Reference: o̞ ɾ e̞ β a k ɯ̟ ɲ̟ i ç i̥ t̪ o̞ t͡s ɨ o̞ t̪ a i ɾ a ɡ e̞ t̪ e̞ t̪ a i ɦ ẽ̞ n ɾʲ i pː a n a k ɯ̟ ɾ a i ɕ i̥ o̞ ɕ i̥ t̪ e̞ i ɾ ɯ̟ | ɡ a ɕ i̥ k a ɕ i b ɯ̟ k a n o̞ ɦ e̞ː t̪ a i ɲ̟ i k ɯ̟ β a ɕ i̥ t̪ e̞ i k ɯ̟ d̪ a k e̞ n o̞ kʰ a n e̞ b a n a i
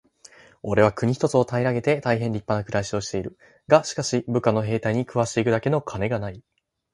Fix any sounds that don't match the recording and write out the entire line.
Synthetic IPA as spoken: o̞ ɾ e̞ β a k ɯ̟ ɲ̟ i ç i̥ t̪ o̞ t͡s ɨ o̞ t̪ a i ɾ a ɡ e̞ t̪ e̞ t̪ a i ɦ ẽ̞ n ɾʲ i pː a n a k ɯ̟ ɾ a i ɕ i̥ o̞ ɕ i̥ t̪ e̞ i ɾ ɯ̟ | ɡ a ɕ i̥ k a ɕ i b ɯ̟ k a n o̞ ɦ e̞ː t̪ a i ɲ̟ i k ɯ̟ β a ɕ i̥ t̪ e̞ i k ɯ̟ d̪ a k e̞ n o̞ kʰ a n e̞ ɡ a n a i